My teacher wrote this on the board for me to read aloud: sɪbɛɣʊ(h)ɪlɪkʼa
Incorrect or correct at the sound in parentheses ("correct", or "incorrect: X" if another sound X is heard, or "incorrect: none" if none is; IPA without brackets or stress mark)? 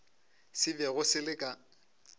incorrect: s